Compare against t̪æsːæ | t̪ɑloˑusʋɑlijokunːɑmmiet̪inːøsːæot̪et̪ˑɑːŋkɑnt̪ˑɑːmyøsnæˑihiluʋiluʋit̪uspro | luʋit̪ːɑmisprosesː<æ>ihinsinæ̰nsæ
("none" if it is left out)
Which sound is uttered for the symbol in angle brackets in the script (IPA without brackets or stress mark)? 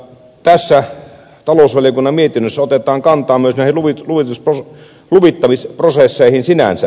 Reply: e